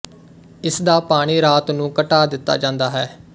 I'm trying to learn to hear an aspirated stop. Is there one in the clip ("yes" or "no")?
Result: no